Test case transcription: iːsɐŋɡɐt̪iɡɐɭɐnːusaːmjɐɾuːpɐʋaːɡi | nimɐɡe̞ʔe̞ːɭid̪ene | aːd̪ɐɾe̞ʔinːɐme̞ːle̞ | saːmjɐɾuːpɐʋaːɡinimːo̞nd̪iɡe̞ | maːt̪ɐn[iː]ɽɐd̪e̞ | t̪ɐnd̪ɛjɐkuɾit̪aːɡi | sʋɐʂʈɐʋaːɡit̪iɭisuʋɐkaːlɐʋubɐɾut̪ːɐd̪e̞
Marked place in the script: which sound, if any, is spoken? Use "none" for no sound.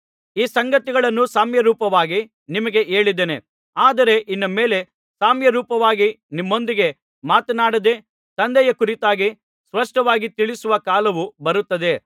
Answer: aː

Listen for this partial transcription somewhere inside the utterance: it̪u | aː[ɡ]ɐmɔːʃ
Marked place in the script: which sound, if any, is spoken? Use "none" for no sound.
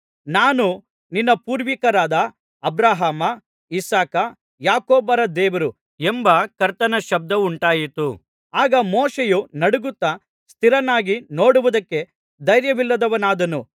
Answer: ɡ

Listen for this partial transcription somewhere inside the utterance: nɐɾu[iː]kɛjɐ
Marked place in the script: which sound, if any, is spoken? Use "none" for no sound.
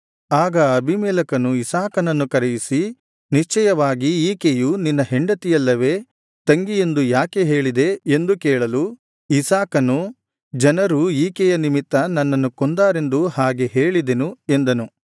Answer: iː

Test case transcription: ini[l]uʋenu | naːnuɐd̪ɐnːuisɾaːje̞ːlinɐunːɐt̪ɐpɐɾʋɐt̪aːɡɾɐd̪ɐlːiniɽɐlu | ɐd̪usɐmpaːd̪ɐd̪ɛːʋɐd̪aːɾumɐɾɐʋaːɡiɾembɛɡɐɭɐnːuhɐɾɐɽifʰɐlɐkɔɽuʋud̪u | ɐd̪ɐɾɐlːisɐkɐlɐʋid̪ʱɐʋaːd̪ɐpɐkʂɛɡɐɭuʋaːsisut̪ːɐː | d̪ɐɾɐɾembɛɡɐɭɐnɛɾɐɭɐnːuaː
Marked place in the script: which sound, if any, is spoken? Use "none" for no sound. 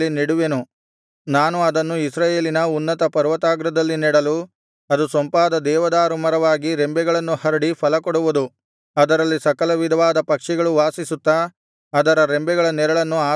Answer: ɽ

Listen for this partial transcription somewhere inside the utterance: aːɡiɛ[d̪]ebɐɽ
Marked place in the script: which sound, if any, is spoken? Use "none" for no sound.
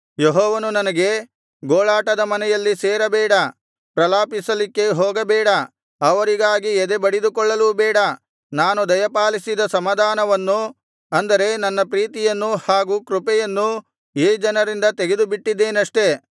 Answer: d̪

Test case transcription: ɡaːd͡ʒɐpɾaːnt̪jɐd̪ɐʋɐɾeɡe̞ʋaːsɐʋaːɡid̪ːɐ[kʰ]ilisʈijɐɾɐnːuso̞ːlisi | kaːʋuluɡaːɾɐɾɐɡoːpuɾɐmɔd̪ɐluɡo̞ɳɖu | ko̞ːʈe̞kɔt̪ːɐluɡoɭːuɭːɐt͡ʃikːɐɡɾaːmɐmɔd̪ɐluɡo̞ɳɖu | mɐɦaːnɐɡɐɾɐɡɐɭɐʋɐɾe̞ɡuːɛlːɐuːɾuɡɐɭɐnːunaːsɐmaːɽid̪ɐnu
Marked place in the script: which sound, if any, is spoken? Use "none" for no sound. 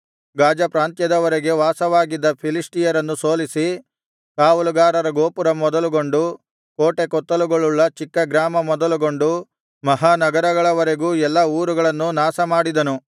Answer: pʰ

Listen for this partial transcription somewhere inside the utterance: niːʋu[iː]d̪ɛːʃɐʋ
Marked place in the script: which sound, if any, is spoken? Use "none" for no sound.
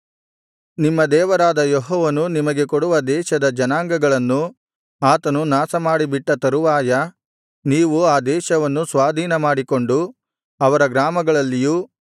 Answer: aː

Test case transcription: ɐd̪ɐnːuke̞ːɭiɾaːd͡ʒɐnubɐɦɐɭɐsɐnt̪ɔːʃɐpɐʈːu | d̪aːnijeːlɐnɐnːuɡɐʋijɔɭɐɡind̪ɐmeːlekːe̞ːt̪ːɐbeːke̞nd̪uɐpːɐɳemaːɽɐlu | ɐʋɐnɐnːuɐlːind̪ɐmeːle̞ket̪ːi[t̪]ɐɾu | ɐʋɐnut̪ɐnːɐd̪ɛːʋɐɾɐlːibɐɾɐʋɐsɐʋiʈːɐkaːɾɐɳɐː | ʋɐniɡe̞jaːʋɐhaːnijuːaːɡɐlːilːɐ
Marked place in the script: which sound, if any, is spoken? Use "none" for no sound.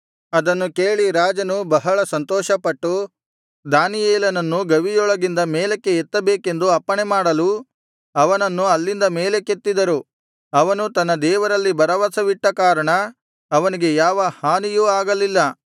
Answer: d̪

